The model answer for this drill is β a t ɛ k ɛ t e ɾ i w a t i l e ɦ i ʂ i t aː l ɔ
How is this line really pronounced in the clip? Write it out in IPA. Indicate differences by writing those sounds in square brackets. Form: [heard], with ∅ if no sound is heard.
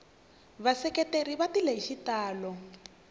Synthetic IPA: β a [s] ɛ k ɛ t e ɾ i [β] a t i l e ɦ i [ʃ] i t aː l ɔ